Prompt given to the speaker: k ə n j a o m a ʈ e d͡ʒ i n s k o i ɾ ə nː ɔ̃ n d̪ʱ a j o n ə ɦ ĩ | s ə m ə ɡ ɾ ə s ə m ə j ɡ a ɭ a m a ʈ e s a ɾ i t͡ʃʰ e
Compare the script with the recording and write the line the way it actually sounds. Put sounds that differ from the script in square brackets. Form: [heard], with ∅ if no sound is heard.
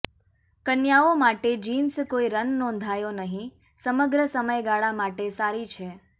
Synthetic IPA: k ə n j a o m a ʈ e d͡ʒ i n s k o i ɾ ə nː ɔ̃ n d̪ʱ a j o n ə ɦ ĩ | s ə m ə ɡ ɾ ə s ə m ə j ɡ a ɭ a m a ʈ e s a ɾ i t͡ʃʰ e